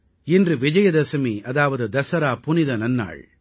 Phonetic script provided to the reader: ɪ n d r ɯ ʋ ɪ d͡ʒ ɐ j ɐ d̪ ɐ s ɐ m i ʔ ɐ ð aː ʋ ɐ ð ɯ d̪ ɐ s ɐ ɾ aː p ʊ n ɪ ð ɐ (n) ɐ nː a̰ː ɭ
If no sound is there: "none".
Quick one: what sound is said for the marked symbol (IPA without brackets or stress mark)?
n